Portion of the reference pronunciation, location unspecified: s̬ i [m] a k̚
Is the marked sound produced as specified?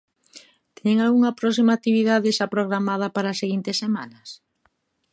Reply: yes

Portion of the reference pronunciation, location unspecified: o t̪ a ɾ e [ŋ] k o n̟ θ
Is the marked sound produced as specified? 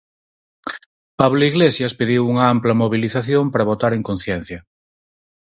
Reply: yes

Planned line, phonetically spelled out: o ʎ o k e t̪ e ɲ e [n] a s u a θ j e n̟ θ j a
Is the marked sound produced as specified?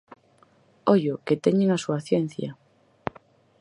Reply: no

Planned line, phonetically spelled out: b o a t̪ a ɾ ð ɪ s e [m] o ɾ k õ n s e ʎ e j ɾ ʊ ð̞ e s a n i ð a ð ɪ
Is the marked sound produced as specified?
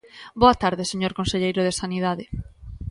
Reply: no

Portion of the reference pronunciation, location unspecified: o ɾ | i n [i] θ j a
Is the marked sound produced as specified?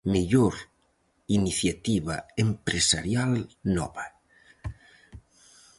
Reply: yes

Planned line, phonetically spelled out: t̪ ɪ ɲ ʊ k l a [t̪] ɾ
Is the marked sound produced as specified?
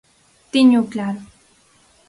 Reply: no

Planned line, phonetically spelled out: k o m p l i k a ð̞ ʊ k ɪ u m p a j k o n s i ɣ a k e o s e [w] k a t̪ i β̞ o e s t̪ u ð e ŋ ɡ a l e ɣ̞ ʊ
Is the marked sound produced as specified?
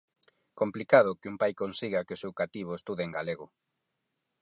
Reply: yes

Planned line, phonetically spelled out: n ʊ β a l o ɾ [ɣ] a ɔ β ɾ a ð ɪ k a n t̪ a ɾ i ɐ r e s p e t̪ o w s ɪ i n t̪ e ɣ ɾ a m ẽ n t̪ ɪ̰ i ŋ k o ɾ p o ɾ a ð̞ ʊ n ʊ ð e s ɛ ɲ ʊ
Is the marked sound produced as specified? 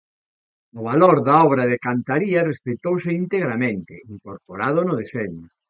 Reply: no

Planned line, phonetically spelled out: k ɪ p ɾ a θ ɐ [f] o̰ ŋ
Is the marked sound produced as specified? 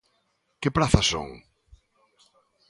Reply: no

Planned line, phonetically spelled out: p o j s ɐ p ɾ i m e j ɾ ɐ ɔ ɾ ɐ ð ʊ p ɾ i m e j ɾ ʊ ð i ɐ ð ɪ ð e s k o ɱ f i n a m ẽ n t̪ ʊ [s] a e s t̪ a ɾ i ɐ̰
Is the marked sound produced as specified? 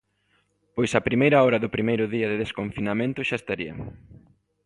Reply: no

